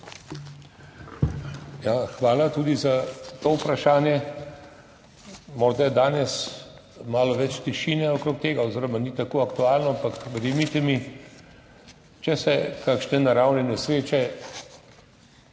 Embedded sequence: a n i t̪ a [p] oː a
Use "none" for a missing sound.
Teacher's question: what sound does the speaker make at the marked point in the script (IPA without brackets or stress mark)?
k